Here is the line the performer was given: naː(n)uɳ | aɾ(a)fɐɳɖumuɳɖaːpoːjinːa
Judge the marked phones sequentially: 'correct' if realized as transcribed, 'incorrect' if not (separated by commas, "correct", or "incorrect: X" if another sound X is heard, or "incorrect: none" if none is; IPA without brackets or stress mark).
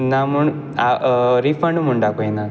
incorrect: m, incorrect: i